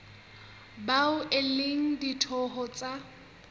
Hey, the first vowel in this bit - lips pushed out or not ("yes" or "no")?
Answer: no